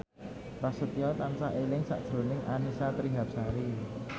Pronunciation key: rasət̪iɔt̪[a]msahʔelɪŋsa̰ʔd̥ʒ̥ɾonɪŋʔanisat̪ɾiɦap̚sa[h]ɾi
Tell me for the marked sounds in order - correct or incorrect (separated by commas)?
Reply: correct, incorrect